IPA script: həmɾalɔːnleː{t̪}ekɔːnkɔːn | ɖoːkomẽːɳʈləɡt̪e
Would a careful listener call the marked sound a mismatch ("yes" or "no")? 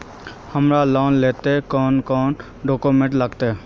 no